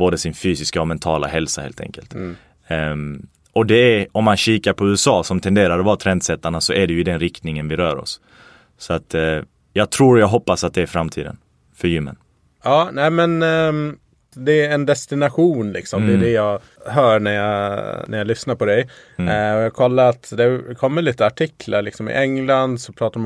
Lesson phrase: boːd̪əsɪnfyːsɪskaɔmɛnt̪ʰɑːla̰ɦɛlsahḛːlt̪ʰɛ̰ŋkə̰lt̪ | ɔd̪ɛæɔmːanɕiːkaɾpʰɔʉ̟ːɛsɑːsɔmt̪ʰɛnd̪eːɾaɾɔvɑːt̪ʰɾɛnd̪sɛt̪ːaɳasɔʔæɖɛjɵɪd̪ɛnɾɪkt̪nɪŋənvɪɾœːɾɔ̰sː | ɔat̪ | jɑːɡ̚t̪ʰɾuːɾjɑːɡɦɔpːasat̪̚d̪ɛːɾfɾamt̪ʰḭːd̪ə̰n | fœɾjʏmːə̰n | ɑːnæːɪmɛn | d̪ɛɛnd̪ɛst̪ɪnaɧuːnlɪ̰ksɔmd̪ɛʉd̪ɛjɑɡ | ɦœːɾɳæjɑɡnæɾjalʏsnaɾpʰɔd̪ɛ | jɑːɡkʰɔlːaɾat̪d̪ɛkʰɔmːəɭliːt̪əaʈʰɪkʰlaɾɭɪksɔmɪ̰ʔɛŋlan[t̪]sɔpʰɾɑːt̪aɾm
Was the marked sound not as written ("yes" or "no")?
yes